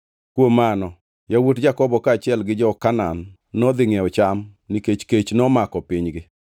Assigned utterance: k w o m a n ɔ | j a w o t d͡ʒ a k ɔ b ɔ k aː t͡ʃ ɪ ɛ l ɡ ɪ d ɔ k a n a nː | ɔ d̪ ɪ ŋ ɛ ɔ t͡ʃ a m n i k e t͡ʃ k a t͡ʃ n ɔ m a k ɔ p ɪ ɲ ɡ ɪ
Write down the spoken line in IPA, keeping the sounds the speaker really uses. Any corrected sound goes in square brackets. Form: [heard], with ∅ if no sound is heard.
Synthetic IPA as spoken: k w o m a n ɔ | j a w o t d͡ʒ a k ɔ b ɔ k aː t͡ʃ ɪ ɛ l ɡ ɪ [d͡ʒ] ɔ k a n a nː | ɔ d̪ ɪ ŋ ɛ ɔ t͡ʃ a m n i k e t͡ʃ k [e] t͡ʃ n ɔ m a k ɔ p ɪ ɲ ɡ ɪ